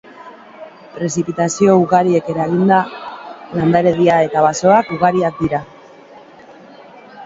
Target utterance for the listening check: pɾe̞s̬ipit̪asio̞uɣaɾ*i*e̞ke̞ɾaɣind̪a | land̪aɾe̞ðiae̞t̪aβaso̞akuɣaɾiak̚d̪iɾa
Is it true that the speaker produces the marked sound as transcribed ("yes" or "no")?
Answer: yes